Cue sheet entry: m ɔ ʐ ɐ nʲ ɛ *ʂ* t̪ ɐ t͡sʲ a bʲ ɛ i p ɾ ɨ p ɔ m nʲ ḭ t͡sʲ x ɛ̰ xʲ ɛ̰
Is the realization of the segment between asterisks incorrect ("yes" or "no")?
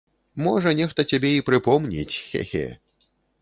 yes